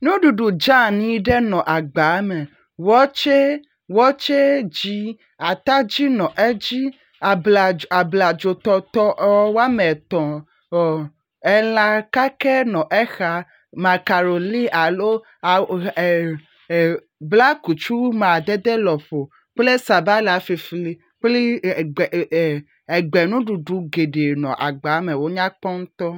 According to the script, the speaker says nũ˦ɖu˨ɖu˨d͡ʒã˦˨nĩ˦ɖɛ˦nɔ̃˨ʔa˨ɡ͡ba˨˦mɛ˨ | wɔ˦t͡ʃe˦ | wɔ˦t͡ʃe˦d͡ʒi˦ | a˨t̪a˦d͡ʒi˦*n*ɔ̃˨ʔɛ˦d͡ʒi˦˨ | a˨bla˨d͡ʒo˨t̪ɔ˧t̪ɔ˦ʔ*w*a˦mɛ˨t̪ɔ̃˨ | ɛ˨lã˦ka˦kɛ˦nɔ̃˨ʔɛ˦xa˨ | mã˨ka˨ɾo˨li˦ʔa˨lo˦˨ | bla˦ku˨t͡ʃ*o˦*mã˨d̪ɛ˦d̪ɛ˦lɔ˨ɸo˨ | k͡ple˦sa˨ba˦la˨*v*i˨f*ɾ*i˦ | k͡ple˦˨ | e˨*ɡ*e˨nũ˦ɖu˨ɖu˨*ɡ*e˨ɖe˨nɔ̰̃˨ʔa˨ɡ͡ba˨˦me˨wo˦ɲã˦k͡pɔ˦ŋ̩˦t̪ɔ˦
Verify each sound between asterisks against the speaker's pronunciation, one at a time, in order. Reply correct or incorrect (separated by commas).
correct, correct, incorrect, incorrect, incorrect, incorrect, correct